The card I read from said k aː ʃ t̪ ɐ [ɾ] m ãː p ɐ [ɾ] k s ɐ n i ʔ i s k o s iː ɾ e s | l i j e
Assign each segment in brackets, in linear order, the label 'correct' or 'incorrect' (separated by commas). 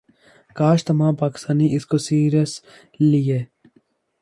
incorrect, incorrect